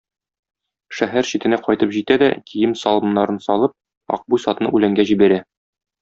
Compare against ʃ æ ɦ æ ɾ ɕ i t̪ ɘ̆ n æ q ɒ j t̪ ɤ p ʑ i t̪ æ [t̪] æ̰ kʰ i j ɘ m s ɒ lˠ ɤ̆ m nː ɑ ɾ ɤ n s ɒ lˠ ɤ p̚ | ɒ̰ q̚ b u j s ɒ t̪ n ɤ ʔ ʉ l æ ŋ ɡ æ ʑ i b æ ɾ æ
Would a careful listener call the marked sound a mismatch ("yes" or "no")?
yes